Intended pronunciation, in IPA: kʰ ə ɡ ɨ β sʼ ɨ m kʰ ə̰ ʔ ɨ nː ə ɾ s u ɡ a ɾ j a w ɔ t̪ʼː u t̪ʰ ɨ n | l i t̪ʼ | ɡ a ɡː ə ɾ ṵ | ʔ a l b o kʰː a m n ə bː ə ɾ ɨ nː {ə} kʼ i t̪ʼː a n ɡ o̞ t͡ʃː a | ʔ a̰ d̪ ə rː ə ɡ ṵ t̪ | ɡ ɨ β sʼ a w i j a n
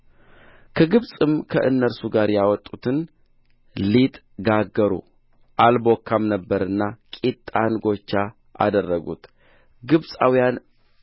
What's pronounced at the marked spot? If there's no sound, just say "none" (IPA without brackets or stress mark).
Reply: a